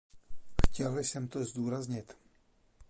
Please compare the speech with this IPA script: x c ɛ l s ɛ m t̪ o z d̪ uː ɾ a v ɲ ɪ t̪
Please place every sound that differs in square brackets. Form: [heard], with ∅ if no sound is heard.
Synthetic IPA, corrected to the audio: x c ɛ l s ɛ m t̪ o z d̪ uː ɾ a [z] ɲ ɪ t̪